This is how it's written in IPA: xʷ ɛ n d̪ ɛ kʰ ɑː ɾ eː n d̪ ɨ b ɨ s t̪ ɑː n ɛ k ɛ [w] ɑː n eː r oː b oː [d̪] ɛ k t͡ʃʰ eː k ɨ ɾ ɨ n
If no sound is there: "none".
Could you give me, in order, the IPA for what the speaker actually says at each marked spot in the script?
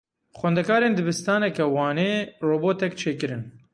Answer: w, t̪

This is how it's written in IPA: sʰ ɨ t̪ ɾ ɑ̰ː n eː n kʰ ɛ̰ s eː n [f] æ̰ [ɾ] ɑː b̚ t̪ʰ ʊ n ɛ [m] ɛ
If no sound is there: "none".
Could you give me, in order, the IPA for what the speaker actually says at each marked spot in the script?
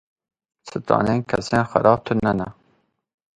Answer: x, ɾ, n

